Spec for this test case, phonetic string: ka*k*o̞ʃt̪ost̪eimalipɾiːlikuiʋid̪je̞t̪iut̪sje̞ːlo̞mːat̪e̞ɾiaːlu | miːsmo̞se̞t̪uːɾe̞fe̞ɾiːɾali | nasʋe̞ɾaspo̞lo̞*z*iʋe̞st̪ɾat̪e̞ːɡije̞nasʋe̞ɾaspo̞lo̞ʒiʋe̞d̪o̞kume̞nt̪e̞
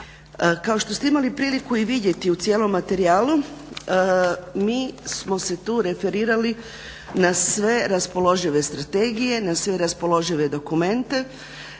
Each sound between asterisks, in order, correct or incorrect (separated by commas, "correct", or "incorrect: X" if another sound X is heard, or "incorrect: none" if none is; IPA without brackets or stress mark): incorrect: none, incorrect: ʒ